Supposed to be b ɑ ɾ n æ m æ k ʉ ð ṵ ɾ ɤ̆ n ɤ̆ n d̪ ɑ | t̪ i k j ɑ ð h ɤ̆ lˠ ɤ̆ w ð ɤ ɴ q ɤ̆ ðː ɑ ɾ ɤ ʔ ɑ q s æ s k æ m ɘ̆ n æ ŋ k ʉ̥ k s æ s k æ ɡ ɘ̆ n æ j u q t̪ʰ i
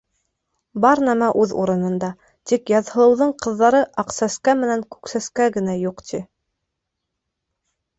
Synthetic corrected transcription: b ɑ ɾ n æ m æ ʔ ʉ ð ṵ ɾ ɤ̆ n ɤ̆ n d̪ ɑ | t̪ i k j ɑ ð h ɤ̆ lˠ ɤ̆ w ð ɤ ɴ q ɤ̆ ðː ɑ ɾ ɤ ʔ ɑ q s æ s k æ m ɘ̆ n æ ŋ k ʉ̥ k s æ s k æ ɡ ɘ̆ n æ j u q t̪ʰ i

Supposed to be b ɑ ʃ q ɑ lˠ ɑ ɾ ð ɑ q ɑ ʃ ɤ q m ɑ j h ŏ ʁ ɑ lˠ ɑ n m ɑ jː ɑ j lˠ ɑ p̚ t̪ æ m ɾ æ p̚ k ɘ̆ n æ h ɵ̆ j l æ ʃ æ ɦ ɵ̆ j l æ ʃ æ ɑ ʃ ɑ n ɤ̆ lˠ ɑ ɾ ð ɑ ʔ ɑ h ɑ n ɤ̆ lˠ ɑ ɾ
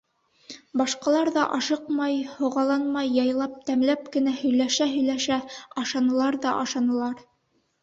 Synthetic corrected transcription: b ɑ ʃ q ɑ lˠ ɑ ɾ ð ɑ ʔ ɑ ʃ ɤ q m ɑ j h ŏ ʁ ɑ lˠ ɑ n m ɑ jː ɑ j lˠ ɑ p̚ t̪ æ m l æ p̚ k ɘ̆ n æ h ɵ̆ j l æ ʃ æ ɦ ɵ̆ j l æ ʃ æ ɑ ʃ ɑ n ɤ̆ lˠ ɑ ɾ ð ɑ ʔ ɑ ʃ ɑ n ɤ̆ lˠ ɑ ɾ

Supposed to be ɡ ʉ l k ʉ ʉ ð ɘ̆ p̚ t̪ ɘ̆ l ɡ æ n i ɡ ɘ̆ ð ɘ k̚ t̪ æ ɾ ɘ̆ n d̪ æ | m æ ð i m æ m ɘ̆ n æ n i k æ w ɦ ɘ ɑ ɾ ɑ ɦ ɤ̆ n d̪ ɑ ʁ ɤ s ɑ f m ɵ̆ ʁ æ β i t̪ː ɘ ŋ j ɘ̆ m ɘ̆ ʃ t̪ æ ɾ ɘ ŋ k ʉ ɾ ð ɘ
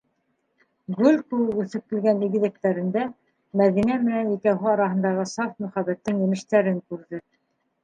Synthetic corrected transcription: ɡ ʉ l k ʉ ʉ θ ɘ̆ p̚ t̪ ɘ̆ l ɡ æ n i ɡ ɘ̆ ð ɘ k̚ t̪ æ ɾ ɘ̆ n d̪ æ | m æ ð i n æ m ɘ̆ n æ n i k æ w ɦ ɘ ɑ ɾ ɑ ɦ ɤ̆ n d̪ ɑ ʁ ɤ s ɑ f m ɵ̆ χ æ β æ t̪ː ɘ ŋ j ɘ̆ m ɘ̆ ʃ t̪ æ ɾ ɘ ŋ k ʉ ɾ ð ɘ

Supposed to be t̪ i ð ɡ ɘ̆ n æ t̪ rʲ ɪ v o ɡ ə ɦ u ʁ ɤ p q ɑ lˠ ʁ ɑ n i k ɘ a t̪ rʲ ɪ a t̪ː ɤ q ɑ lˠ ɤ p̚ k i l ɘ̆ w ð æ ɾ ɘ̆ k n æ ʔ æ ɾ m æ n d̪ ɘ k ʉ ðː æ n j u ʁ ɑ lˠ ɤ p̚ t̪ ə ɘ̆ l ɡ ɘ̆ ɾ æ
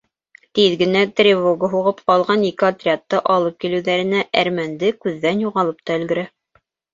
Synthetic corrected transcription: t̪ i ð ɡ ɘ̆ n æ t̪ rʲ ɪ v o ɡ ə ɦ u ʁ ɤ p q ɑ lˠ ʁ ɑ n i k ɘ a t̪ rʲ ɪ a t̪ː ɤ ʔ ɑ lˠ ɤ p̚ k i l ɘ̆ w ð æ ɾ ɘ̆ n æ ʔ æ ɾ m æ n d̪ ɘ k ʉ ðː æ n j u ʁ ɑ lˠ ɤ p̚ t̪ ɑ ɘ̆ l ɡ ɘ̆ ɾ æ

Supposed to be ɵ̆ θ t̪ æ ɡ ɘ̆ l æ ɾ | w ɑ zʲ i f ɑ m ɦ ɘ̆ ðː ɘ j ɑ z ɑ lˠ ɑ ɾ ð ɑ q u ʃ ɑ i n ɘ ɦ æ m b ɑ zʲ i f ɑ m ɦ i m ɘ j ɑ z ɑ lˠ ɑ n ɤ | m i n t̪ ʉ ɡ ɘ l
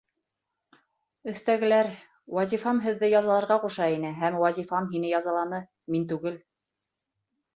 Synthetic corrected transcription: ɵ̆ θ t̪ æ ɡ ɘ̆ l æ ɾ | w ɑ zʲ i f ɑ m ɦ ɘ̆ ðː ɘ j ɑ z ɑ lˠ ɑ ɾ ʁ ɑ q u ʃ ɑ i n ɘ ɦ æ m w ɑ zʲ i f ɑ m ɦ i n ɘ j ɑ z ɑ lˠ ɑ n ɤ | m i n t̪ ʉ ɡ ɘ l

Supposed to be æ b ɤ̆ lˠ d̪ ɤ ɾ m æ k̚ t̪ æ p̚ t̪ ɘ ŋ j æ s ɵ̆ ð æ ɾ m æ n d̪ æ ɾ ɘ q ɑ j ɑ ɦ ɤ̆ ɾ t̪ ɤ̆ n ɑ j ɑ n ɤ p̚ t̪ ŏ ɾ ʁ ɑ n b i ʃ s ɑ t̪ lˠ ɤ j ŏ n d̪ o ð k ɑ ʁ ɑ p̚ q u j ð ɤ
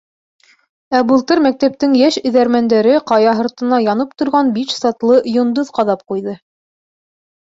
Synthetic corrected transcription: æ b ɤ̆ lˠ t̪ ɤ ɾ m æ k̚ t̪ æ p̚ t̪ ɘ ŋ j æ ʃ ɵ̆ ð æ ɾ m æ n d̪ æ ɾ ɘ q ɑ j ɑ ɦ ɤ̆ ɾ t̪ ɤ̆ n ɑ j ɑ n ɤ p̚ t̪ ŏ ɾ ʁ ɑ n b i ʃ s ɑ t̪ lˠ ɤ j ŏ n d̪ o ð q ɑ ð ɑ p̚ q u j ð ɤ

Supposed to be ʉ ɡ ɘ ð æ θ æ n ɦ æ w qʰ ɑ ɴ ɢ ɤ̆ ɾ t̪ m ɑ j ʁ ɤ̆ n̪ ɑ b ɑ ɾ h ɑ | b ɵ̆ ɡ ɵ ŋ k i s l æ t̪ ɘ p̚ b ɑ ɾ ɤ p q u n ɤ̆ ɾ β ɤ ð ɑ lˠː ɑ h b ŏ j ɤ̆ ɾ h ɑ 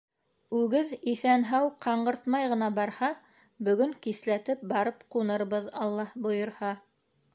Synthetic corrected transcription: ʉ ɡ ɘ ð i θ æ n ɦ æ w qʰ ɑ ɴ ɢ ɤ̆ ɾ t̪ m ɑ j ʁ ɤ̆ n̪ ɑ b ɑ ɾ h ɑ | b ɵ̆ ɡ ɵ ŋ k i s l æ t̪ ɘ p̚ b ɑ ɾ ɤ p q u n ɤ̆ ɾ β ɤ ð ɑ lˠː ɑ h b ŏ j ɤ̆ ɾ h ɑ

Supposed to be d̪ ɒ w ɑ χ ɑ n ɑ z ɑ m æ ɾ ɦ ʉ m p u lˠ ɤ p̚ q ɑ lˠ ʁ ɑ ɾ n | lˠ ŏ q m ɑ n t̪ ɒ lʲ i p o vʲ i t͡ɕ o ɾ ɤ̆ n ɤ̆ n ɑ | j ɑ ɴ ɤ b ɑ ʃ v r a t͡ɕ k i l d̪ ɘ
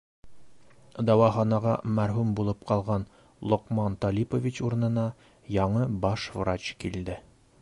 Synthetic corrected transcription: d̪ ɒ w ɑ χ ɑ n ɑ ʁ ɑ m æ ɾ ɦ ʉ m b u lˠ ɤ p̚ q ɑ lˠ ʁ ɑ n | lˠ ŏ q m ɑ n t̪ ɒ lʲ i p o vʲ i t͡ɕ u ɾ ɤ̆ n ɤ̆ n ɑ | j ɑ ɴ ɤ b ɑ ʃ v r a t͡ɕ k i l d̪ ɘ

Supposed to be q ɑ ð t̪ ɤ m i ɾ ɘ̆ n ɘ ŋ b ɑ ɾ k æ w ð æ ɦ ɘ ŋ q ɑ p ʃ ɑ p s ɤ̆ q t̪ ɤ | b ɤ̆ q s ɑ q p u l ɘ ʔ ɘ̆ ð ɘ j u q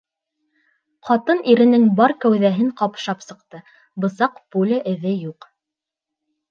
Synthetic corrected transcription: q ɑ t̪ ɤ n i ɾ ɘ̆ n ɘ ŋ b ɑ ɾ k æ w ð æ ɦ ɘ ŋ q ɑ p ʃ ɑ p s ɤ̆ q t̪ ɤ | b ɤ̆ s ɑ q p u l ɘ ʔ ɘ̆ ð ɘ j u q

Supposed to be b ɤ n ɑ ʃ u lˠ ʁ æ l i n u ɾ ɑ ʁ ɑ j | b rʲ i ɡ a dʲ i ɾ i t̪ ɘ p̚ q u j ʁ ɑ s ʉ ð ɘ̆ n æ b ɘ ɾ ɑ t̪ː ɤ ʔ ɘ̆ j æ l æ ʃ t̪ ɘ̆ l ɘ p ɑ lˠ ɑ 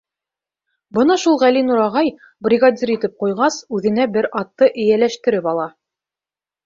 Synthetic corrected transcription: b ɤ n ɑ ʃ u lˠ ʁ æ l i n u ɾ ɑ ʁ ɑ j | b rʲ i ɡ a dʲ i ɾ i t̪ ɘ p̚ q u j ʁ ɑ s ʉ ð ɘ̆ n æ b ɘ ɾ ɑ t̪ː ɤ ʔ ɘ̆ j æ l æ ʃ t̪ ɘ̆ ɾ ɘ p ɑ lˠ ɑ

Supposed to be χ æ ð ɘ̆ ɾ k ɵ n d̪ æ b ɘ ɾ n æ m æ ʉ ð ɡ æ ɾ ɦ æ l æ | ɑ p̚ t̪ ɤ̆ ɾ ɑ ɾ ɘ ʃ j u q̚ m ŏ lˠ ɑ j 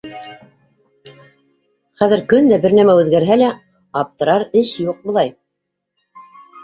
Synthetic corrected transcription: χ æ ð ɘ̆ ɾ k ɵ n d̪ æ b ɘ ɾ n æ m æ ʉ ð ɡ æ ɾ ɦ æ l æ | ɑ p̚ t̪ ɤ̆ ɾ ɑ ɾ ɘ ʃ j u q̚ b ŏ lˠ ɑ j

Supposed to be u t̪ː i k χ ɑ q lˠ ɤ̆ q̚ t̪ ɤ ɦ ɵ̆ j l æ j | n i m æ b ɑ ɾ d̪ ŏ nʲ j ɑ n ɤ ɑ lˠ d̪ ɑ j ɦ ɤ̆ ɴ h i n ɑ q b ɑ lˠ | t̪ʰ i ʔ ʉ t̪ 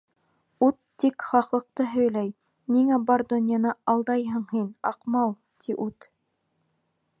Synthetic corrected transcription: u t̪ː i k χ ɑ q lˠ ɤ̆ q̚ t̪ ɤ ɦ ɵ̆ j l æ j | n i ŋ æ b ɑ ɾ d̪ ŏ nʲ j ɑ n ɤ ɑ lˠ d̪ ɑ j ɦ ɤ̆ ɴ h i n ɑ q m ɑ lˠ | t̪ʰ i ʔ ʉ t̪

